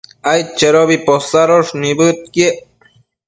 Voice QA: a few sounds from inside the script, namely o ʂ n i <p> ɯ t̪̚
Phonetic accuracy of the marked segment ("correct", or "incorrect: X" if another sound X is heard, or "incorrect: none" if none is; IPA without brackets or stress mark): incorrect: b